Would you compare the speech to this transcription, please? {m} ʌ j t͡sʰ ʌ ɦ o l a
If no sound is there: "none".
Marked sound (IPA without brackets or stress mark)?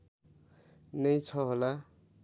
n